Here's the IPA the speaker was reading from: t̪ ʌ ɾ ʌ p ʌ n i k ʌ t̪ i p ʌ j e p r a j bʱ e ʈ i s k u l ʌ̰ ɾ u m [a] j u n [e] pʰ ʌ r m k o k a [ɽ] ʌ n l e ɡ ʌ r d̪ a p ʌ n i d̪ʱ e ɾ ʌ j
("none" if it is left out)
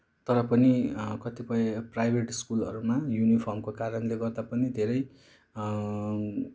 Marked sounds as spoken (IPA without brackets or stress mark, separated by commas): a, i, ɾ